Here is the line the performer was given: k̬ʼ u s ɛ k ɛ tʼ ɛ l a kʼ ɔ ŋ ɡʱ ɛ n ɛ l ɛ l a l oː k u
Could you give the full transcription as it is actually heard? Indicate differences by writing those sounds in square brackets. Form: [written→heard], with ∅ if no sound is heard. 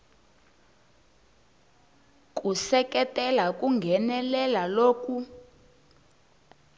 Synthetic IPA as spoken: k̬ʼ u s ɛ k ɛ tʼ ɛ l a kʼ [ɔ→u] ŋ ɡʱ ɛ n ɛ l ɛ l a l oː k u